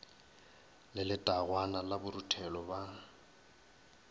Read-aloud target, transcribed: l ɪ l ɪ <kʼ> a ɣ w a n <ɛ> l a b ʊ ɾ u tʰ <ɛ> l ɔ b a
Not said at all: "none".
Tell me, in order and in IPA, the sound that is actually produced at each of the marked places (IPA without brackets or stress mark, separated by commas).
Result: tʼ, a, ɛ